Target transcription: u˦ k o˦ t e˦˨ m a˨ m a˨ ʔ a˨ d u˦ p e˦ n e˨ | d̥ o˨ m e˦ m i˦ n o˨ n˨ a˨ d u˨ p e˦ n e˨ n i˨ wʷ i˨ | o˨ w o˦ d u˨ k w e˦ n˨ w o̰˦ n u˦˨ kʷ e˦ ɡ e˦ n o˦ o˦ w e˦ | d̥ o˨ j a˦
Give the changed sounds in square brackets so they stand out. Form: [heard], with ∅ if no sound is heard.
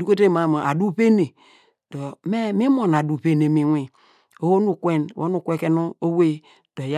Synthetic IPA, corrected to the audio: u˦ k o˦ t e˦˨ m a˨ m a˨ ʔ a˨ d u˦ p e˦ n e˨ | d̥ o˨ m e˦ m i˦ [m] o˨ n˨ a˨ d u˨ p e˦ n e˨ [m] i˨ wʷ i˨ | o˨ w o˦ [n] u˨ k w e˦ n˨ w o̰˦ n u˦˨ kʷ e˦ [k] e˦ n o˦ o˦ w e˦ | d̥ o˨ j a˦